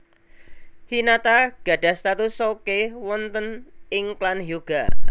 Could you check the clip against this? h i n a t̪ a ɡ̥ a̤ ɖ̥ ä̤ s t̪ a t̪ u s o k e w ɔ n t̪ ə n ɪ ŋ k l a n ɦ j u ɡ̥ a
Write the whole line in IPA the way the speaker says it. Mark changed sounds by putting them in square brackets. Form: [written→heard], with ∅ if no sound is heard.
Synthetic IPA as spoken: h i n a t̪ a ɡ̥ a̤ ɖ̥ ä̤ s t̪ a t̪ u s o k e w ɔ n t̪ ə n ɪ ŋ k l a n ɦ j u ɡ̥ a